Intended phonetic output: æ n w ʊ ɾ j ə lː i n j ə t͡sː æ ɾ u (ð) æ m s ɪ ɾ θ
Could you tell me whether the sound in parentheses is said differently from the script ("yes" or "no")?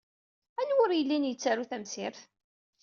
yes